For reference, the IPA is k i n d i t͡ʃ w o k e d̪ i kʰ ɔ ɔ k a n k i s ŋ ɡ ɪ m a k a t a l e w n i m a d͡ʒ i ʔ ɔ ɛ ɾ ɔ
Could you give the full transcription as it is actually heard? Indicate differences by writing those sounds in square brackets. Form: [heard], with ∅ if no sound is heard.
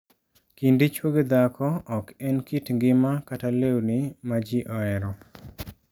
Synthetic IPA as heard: k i n d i t͡ʃ w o [ɡ] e d̪ [a] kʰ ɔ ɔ k [ɛ] n k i [t] ŋ ɡ ɪ m a k a t a l e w n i m a d͡ʒ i ʔ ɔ ɛ ɾ ɔ